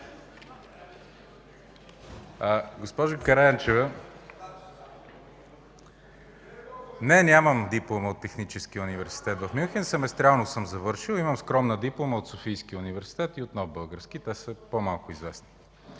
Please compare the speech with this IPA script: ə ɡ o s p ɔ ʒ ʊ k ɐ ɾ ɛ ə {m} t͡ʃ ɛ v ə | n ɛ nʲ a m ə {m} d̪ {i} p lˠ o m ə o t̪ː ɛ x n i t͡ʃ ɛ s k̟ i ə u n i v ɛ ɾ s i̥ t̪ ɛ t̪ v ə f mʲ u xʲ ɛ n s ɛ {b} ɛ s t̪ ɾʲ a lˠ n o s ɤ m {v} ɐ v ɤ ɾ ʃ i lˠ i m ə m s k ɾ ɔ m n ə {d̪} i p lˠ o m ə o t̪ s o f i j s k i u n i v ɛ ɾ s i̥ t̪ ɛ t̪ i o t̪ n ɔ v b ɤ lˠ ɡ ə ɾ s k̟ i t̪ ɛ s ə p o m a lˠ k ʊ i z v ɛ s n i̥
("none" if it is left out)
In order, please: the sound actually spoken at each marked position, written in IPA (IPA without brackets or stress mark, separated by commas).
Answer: n, m, i, m, z, d̪